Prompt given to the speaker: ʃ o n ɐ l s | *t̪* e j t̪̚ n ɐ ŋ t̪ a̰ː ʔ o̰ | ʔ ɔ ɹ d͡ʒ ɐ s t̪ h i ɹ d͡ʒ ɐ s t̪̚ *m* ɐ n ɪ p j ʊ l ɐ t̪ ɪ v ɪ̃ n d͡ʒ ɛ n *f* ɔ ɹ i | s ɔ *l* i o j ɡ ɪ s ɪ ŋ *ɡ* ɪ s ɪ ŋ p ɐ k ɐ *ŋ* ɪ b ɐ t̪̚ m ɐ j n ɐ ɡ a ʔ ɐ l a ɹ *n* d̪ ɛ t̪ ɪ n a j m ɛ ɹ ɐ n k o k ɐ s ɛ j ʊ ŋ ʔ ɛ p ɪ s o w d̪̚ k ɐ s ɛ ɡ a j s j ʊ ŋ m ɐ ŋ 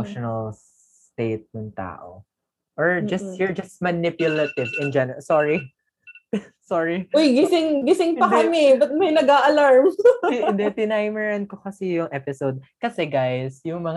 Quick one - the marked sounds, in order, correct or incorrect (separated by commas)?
correct, correct, incorrect, incorrect, correct, incorrect, incorrect